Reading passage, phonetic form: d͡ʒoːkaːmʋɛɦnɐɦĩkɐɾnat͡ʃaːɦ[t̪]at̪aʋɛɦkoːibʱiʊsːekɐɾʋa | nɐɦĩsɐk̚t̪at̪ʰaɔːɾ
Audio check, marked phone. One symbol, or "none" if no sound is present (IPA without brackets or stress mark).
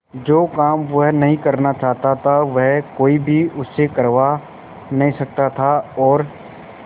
t̪